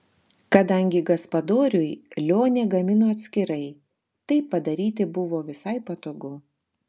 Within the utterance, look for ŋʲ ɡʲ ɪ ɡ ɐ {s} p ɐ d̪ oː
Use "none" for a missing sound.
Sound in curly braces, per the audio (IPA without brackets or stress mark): s